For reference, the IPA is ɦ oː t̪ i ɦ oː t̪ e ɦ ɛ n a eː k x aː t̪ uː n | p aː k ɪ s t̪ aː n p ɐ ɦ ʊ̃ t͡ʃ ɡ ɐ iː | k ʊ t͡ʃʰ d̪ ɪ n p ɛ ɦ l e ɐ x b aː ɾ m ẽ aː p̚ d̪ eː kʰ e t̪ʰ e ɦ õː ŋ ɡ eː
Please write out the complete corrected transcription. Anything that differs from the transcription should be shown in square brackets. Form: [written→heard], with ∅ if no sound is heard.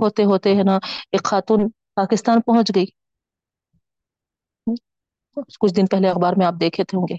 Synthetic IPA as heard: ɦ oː t̪ [i→e] ɦ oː t̪ e ɦ ɛ n a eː k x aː t̪ uː n | p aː k ɪ s t̪ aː n p ɐ ɦ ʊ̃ t͡ʃ ɡ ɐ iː | k ʊ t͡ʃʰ d̪ ɪ n p ɛ ɦ l e ɐ x b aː ɾ m ẽ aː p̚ d̪ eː kʰ e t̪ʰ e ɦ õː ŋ ɡ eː